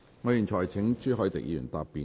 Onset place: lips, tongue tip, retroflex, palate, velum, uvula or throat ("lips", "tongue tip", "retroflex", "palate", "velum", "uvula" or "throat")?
velum